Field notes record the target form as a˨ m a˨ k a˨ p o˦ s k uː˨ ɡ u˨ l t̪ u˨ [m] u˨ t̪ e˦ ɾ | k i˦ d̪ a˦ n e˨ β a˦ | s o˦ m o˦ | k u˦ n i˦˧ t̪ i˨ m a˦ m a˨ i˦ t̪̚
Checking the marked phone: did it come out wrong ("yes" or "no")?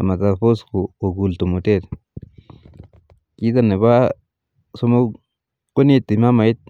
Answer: no